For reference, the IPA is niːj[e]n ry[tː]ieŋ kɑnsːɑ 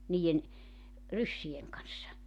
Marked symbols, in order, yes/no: yes, no

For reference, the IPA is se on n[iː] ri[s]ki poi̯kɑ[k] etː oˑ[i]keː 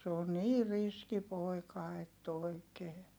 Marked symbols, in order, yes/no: yes, yes, no, yes

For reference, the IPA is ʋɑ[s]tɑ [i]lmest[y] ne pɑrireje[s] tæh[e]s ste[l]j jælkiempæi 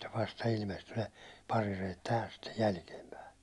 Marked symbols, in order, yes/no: yes, yes, yes, no, no, no

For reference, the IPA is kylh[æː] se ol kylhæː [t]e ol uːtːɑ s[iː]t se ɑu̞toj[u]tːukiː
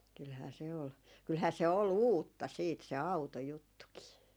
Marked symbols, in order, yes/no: yes, no, yes, yes

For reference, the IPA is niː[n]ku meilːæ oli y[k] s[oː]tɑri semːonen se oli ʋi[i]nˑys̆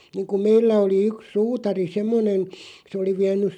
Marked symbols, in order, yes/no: no, yes, no, no

